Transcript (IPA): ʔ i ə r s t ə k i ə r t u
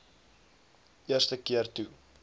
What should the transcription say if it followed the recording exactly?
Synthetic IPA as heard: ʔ i ə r s t ə k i ə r t u